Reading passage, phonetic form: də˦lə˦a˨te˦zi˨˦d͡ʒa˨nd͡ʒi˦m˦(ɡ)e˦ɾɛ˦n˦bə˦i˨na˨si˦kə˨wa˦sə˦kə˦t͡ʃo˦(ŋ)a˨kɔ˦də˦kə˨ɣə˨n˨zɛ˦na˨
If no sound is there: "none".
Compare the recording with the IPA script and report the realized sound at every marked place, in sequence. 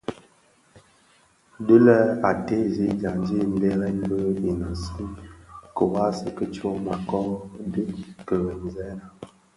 b, m

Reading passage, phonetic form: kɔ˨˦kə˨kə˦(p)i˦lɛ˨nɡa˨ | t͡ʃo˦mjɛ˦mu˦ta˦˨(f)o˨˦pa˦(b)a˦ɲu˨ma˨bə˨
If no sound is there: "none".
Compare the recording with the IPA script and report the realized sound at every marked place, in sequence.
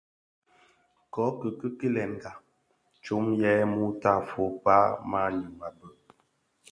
k, f, m

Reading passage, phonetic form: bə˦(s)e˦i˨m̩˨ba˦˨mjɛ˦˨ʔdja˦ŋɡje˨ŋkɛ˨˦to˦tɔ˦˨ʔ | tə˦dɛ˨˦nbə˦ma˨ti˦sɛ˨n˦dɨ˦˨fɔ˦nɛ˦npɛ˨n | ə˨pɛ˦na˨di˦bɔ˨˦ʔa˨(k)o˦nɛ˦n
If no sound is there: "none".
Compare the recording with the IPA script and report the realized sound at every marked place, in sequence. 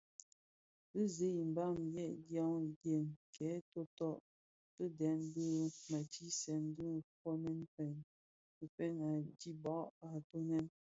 z, t

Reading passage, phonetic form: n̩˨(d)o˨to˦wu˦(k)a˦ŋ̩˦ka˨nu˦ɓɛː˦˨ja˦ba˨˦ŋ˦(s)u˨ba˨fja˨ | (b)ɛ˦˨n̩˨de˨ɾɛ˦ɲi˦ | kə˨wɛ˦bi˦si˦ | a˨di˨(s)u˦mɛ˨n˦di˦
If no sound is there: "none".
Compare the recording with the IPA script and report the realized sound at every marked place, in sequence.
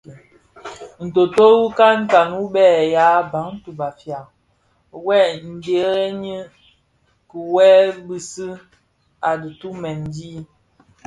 t, k, t, w, t

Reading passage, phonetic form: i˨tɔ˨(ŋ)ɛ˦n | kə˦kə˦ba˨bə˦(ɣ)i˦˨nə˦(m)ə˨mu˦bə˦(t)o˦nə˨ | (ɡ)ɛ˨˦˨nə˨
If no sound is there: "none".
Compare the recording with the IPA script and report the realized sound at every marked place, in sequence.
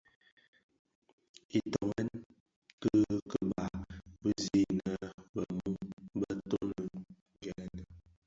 ŋ, z, b, t, ɡ

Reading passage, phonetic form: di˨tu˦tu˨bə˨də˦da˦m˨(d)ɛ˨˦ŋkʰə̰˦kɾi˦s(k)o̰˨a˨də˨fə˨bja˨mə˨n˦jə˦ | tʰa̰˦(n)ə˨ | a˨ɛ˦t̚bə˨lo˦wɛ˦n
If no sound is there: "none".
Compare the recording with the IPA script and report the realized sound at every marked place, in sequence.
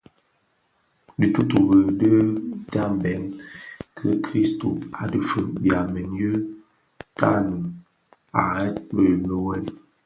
b, t, n

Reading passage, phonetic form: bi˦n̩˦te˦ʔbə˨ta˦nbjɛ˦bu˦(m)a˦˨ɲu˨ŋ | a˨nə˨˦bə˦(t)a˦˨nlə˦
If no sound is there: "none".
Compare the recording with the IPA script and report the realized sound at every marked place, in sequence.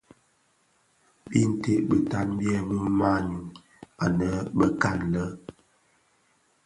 m, k

